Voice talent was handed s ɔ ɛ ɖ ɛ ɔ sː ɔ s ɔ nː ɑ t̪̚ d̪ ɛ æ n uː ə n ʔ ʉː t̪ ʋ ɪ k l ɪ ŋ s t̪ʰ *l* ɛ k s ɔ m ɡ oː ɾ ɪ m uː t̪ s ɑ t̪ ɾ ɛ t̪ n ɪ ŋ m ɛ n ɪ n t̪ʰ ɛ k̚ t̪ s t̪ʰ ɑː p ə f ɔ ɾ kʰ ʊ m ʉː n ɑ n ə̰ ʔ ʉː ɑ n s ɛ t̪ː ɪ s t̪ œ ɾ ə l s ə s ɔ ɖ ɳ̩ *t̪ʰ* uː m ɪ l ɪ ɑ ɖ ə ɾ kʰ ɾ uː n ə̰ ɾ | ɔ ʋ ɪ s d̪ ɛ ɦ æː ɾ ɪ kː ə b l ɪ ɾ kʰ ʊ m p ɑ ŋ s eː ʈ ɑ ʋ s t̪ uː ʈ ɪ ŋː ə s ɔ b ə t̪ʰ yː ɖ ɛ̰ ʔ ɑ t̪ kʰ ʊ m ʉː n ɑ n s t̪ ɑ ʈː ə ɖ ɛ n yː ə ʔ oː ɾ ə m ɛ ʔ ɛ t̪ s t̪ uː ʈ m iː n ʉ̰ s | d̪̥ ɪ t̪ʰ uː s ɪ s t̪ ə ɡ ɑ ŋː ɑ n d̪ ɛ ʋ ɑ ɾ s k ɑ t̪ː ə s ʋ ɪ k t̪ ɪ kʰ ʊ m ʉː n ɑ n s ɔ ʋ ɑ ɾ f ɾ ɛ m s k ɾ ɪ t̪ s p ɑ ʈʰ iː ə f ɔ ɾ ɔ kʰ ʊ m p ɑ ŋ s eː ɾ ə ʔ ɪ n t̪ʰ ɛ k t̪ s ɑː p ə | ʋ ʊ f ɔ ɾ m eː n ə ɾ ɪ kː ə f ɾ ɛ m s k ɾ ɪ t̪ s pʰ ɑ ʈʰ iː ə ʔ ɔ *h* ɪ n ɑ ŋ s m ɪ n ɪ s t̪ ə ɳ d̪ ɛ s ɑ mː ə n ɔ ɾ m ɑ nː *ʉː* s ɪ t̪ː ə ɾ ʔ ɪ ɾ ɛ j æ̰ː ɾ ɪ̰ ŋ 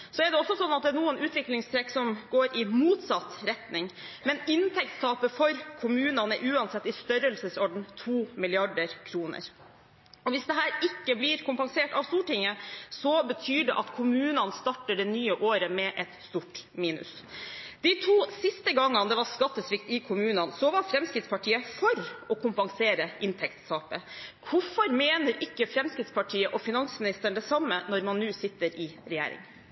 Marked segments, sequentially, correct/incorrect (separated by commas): incorrect, correct, incorrect, correct